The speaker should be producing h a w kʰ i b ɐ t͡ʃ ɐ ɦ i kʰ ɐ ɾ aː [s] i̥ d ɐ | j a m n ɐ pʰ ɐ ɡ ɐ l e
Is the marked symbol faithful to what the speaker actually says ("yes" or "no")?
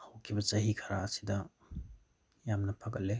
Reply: yes